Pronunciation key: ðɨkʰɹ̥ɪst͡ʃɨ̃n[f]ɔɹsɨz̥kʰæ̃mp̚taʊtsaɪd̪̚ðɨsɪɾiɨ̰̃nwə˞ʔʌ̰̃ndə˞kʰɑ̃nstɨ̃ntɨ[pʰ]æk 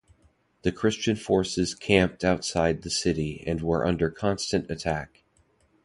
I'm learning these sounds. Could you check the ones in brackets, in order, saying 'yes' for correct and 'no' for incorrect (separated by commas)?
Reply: yes, no